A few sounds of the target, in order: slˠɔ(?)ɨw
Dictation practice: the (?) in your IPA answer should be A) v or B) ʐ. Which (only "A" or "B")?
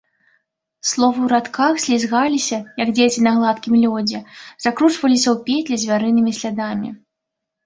A